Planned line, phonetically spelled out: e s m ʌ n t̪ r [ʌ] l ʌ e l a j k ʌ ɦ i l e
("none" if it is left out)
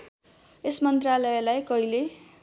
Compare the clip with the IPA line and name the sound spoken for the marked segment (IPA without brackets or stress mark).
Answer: a